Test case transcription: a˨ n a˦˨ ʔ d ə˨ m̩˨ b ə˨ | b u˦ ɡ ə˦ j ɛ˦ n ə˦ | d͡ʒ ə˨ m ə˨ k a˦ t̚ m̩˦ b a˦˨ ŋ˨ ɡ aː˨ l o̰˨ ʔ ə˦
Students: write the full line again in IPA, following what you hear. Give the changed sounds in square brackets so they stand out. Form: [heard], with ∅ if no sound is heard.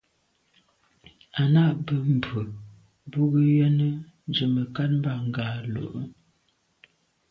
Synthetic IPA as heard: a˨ n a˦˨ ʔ [b] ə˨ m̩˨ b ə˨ | b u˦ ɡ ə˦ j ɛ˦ n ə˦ | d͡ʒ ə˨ m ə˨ k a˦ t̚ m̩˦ b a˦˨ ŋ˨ ɡ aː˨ l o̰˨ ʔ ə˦

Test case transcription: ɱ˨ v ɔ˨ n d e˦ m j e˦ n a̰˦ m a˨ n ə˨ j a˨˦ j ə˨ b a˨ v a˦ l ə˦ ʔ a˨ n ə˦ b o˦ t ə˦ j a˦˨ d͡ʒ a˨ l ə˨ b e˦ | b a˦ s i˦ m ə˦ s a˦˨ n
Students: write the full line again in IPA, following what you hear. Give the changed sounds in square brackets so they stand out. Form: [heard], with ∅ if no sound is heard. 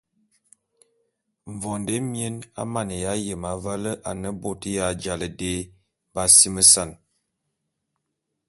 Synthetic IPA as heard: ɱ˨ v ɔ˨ n d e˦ m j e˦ n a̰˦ m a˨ n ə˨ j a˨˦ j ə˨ [m] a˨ v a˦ l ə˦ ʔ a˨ n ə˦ b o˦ t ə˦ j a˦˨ d͡ʒ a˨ l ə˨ [d] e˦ | b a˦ s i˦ m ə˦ s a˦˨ n

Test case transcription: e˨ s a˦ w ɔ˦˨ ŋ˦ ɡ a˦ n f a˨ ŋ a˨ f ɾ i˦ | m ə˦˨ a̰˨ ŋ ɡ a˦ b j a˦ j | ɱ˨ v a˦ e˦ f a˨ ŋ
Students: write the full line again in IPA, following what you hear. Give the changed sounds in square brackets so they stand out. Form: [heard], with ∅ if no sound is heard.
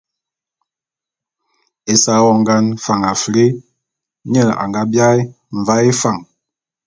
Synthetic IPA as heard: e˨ s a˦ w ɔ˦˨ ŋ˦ ɡ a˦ n f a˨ ŋ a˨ f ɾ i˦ | [ɲ] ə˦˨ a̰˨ ŋ ɡ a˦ b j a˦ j | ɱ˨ v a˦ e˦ f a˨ ŋ

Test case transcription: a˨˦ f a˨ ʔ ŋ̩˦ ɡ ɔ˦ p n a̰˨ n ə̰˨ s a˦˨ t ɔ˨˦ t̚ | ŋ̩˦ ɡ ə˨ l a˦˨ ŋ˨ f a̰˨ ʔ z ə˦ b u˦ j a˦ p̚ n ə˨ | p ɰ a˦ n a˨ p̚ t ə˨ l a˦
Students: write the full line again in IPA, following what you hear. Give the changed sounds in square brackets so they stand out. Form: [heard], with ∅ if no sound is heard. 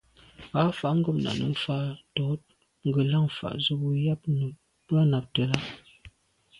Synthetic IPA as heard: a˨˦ f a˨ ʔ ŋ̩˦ ɡ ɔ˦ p n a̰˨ n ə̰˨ [f] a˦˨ t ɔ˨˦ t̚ | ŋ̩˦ ɡ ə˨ l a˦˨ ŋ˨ f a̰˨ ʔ z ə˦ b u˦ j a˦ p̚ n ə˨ | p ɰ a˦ n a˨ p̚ t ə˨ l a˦

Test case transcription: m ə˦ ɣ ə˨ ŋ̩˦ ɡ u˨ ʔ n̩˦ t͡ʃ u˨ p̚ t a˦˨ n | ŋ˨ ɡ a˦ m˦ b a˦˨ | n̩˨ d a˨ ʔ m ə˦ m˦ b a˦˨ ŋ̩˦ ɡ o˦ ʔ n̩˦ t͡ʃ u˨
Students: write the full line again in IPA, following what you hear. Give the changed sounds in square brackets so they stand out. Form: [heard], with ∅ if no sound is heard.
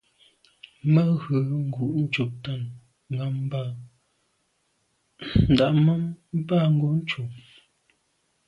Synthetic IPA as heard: m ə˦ ɣ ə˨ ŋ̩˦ ɡ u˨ ʔ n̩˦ t͡ʃ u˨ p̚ t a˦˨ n | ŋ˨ ɡ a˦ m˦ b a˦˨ | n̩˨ d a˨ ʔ m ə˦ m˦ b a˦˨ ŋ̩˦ ɡ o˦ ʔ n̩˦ t͡ʃ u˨

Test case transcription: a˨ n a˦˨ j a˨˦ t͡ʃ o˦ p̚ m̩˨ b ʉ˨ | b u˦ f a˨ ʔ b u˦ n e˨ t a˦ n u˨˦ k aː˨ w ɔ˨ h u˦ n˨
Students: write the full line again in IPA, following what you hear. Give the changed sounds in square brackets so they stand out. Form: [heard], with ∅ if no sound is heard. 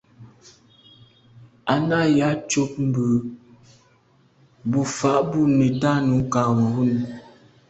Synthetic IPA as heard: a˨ n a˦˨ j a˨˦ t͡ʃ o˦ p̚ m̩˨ b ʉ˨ | b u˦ f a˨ ʔ b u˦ n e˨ t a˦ n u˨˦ k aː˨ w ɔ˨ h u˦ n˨

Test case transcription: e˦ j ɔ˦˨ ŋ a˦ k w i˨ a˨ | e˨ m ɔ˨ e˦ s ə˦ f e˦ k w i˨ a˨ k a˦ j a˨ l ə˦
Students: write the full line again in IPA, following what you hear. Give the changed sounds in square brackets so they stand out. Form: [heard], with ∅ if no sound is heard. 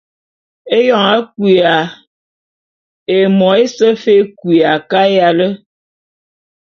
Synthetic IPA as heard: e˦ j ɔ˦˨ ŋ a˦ k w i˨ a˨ | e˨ m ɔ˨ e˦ s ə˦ f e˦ k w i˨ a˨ k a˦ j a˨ l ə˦

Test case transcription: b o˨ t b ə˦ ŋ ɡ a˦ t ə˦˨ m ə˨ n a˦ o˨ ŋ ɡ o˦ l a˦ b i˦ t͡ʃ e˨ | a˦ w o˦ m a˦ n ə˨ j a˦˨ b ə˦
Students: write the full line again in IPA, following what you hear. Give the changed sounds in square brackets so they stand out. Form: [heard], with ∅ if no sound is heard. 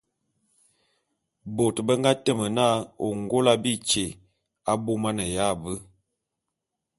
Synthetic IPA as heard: b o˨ t b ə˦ ŋ ɡ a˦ t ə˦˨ m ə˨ n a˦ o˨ ŋ ɡ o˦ l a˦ b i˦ t͡ʃ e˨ | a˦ [b] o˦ m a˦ n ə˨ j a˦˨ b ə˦

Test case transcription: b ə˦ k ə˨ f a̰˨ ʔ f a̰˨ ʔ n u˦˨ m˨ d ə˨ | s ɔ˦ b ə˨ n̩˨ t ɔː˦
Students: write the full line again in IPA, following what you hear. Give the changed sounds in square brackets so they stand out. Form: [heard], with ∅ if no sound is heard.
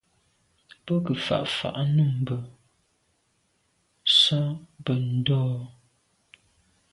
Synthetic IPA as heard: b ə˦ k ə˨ f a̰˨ ʔ f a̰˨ ʔ n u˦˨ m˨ [b] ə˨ | s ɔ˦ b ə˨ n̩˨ [d] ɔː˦

